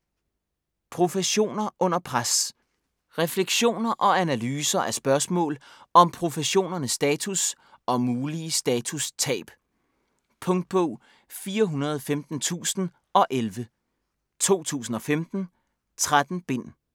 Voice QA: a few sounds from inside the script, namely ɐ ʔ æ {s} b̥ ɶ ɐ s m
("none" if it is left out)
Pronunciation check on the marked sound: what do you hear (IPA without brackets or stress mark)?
s